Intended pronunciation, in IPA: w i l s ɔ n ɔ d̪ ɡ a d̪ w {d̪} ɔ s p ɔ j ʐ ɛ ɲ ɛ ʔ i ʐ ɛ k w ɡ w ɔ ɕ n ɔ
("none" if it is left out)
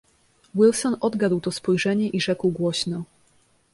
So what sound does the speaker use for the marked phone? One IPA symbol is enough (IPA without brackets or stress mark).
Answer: t̪